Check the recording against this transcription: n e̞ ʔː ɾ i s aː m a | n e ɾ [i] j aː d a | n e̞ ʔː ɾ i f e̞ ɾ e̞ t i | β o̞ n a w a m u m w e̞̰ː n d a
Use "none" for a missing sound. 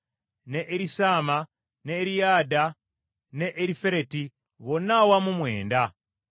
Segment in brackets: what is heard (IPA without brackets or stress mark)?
i